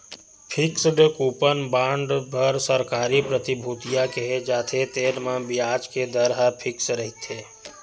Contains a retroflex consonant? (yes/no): yes